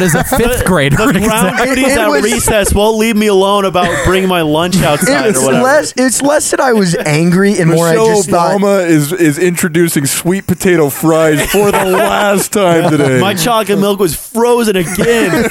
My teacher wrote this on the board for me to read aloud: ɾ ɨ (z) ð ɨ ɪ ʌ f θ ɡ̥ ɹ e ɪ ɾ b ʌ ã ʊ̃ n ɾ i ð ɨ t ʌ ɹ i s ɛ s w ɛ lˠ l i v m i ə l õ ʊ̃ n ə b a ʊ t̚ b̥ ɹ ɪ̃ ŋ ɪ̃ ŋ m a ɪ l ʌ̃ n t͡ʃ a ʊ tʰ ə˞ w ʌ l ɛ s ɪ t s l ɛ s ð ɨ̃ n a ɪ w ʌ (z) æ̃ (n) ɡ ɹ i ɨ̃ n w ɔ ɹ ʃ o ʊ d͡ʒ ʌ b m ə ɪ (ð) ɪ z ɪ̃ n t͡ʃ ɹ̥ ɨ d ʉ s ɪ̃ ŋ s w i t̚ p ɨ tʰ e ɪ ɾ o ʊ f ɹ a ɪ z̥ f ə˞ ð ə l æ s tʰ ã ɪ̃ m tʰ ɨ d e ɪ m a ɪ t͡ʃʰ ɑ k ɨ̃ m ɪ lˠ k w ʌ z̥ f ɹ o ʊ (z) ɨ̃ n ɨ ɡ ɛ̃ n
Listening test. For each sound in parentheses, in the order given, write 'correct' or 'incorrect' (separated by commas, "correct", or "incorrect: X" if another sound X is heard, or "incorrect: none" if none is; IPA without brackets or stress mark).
correct, correct, incorrect: ŋ, incorrect: z, correct